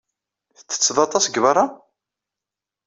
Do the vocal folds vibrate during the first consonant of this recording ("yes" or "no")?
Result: no